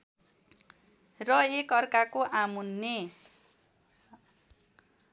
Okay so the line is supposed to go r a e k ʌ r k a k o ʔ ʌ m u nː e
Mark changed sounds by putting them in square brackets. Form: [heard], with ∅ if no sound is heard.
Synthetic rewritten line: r [ʌ] e k ʌ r k a k o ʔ [a] m u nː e